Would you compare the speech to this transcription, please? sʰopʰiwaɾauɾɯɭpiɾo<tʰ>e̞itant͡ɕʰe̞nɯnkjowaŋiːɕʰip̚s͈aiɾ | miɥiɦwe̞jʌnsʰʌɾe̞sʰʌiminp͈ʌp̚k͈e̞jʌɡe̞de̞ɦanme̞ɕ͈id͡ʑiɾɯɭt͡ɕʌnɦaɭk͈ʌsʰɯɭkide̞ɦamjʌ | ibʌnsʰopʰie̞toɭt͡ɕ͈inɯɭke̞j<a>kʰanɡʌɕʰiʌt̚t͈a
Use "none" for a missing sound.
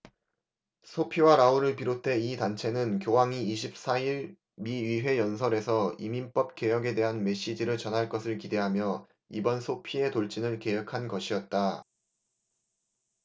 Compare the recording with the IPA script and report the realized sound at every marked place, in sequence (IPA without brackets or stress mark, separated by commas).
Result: tʰ, ʌ